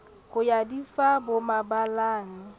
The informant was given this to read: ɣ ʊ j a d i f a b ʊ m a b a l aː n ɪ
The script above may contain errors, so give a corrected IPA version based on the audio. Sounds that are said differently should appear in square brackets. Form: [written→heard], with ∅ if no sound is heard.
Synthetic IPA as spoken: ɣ ʊ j a d i f a b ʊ m a b a l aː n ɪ